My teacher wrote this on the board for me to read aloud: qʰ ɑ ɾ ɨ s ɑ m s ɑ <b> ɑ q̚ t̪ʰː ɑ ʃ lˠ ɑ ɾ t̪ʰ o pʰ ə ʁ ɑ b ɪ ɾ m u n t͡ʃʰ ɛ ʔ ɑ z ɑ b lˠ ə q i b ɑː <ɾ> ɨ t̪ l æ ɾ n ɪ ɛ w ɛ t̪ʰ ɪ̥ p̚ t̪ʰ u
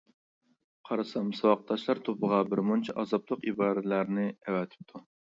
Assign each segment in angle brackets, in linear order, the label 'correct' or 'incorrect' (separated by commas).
incorrect, correct